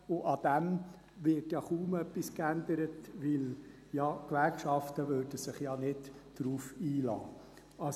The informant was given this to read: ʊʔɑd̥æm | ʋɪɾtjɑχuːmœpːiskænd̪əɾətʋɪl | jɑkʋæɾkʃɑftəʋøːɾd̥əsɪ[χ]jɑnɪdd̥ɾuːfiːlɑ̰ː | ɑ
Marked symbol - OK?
yes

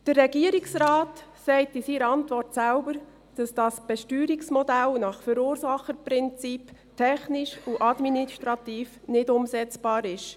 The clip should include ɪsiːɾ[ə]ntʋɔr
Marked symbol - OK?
no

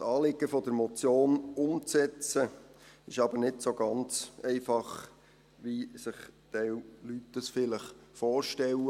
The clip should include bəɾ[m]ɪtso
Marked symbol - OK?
no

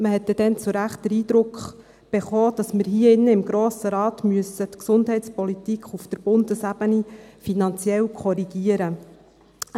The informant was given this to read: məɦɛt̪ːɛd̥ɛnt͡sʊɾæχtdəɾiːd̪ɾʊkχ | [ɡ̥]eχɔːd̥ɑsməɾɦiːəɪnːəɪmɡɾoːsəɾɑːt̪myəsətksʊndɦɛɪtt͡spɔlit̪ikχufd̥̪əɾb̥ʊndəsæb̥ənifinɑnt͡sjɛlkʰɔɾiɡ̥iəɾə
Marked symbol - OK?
no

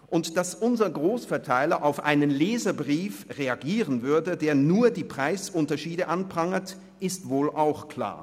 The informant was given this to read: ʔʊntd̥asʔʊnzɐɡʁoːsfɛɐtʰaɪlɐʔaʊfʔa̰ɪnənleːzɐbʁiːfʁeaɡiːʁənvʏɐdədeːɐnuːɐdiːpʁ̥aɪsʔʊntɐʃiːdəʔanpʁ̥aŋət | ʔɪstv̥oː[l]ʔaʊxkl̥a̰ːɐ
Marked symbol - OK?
yes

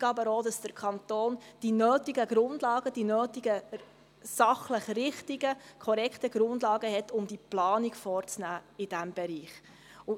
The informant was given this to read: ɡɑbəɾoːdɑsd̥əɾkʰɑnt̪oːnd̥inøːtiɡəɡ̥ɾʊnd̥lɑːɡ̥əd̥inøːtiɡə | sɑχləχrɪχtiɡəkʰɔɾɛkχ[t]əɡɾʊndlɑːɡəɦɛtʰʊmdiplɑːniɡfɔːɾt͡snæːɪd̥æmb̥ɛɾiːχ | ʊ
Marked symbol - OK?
yes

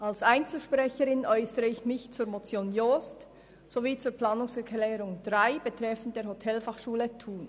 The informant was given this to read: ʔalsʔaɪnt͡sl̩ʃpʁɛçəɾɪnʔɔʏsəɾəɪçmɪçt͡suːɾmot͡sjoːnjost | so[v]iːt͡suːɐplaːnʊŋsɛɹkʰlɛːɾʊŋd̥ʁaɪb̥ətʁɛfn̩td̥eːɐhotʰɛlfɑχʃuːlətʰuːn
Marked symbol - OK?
yes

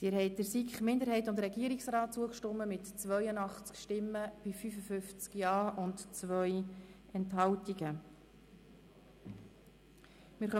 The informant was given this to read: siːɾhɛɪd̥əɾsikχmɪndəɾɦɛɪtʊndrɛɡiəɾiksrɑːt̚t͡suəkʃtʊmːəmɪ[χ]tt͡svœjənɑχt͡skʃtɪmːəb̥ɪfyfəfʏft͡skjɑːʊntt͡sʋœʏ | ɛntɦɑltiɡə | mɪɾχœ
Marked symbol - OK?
no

